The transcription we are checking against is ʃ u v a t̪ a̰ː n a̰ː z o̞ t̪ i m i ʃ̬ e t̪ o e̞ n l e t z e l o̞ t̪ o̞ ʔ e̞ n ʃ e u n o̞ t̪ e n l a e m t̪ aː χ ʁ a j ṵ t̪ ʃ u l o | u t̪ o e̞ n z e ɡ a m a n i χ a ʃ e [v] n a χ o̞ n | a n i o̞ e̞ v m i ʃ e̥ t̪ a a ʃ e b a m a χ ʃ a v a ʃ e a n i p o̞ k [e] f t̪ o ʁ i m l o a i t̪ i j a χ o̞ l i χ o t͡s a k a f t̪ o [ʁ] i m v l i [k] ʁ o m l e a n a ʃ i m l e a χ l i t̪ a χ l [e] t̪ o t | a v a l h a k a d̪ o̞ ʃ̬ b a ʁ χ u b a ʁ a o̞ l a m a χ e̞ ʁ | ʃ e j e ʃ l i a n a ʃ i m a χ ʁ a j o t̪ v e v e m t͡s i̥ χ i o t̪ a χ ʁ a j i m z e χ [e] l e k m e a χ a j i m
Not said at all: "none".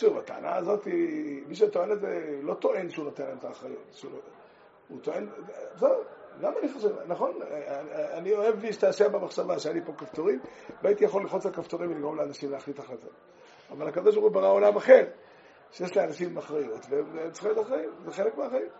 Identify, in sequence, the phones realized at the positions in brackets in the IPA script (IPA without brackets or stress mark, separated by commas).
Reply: v, a, ʁ, ɡ, a, e